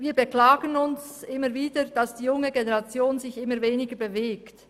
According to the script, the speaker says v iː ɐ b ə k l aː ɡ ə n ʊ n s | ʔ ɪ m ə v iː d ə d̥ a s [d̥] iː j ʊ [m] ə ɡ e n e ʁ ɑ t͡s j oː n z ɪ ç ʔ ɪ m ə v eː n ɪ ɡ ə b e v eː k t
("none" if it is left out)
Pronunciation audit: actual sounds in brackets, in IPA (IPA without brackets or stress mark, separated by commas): d̥, ŋ